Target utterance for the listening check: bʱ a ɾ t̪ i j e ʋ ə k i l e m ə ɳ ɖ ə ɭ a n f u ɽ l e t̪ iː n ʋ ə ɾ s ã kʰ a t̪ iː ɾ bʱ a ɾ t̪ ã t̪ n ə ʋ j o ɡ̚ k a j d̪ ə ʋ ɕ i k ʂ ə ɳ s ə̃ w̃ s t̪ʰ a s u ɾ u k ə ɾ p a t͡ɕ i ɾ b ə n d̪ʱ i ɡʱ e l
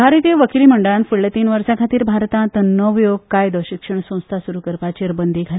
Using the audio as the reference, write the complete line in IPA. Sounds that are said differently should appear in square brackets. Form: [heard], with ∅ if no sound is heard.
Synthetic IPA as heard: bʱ a ɾ t̪ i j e ʋ ə k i l [i] m ə ɳ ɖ ə ɭ a n f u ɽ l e t̪ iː n ʋ ə ɾ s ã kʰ a t̪ iː ɾ bʱ a ɾ t̪ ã t̪ n ə ʋ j o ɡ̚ k a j d̪ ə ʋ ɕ i k ʂ ə ɳ s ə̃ w̃ s t̪ʰ a s u ɾ u k ə ɾ p a t͡ɕ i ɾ b ə n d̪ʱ i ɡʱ [a] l

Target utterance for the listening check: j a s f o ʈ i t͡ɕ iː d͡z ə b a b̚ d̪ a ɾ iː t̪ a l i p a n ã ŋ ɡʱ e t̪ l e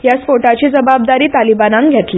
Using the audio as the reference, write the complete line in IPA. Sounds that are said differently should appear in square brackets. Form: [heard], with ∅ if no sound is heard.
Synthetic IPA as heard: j a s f o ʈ [a] t͡ɕ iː d͡z ə b a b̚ d̪ a ɾ iː t̪ a l i [b] a n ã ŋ ɡʱ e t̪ l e

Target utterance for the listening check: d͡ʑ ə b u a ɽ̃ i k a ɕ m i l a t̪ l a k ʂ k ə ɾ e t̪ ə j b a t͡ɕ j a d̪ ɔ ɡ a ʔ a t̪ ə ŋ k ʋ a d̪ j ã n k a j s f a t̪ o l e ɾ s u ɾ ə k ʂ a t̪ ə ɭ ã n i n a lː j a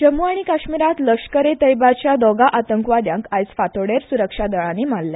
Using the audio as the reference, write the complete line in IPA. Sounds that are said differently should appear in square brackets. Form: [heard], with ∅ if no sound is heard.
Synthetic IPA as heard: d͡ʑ ə [m] u a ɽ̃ i k a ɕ m i [ɾ] a t̪ l [ə] k ʂ k ə ɾ e t̪ ə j b a t͡ɕ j a d̪ ɔ ɡ a ʔ a t̪ ə ŋ k ʋ a d̪ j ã [ŋ] k a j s f a t̪ o [ɽ] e ɾ s u ɾ ə k ʂ a [d̪] ə ɭ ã n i [m] a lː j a

